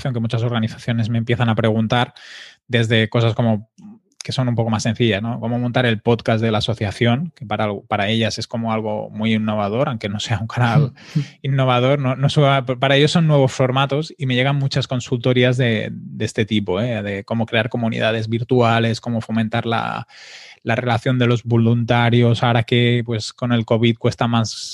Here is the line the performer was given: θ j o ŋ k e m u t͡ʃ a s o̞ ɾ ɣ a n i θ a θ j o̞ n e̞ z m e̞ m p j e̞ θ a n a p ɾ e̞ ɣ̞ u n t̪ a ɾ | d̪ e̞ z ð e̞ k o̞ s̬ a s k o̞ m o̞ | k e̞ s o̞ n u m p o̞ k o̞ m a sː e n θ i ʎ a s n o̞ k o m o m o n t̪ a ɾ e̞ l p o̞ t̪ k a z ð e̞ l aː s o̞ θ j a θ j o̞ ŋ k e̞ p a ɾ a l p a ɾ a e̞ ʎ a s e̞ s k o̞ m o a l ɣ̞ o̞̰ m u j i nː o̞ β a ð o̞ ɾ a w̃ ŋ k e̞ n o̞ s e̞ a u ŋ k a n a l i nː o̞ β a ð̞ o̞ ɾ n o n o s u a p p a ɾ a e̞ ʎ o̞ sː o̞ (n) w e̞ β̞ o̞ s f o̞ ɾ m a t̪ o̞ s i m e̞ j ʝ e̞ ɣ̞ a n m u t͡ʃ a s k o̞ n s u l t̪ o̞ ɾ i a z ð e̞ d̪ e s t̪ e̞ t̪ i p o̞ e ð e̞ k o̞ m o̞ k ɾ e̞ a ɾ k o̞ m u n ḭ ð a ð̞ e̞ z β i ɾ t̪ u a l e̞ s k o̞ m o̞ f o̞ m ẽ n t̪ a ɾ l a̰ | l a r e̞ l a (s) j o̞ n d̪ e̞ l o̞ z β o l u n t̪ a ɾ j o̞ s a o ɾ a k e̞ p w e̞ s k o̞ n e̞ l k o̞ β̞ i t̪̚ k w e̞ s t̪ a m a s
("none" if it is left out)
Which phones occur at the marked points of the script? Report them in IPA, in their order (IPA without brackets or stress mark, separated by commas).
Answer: nː, θ